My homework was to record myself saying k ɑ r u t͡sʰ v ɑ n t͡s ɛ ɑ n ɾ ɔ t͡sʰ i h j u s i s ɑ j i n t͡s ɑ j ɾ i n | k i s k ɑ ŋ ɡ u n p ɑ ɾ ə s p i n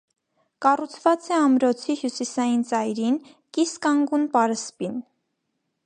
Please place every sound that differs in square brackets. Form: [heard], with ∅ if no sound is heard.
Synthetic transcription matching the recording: k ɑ r u t͡sʰ v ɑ [∅] t͡s ɛ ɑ [m] ɾ ɔ t͡sʰ i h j u s i s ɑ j i n t͡s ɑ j ɾ i n | k i s k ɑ ŋ ɡ u n p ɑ ɾ ə s p i n